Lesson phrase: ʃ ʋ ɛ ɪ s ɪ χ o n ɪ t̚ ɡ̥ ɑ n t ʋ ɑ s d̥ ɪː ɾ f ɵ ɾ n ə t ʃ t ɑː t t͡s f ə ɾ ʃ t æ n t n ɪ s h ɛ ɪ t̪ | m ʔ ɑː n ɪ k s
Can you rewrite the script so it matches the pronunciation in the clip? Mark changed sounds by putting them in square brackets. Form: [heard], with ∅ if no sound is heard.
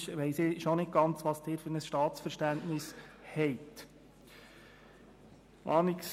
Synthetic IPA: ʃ ʋ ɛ ɪ s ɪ [ʃ] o n ɪ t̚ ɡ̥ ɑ n [t͡s] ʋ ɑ s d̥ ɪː ɾ f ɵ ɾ n ə [s] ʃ t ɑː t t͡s f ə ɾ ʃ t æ n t n ɪ s h ɛ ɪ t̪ | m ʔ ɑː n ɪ k s